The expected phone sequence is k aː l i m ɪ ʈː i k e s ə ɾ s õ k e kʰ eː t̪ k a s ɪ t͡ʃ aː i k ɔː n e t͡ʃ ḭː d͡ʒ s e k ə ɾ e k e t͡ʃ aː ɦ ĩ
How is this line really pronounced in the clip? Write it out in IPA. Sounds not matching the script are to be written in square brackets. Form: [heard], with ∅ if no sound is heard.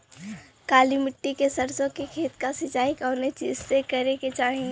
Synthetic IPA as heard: k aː l i m ɪ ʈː i k e s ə ɾ s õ k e kʰ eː t̪ k a s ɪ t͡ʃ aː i k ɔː n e t͡ʃ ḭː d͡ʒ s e k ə ɾ e k e t͡ʃ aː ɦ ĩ